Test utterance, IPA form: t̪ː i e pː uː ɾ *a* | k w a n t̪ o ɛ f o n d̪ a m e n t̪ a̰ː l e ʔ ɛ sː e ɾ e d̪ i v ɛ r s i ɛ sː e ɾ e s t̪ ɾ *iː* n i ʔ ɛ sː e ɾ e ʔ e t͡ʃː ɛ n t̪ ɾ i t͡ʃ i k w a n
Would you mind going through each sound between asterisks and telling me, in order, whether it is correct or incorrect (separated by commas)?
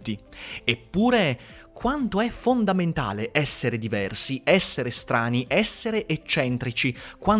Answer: incorrect, incorrect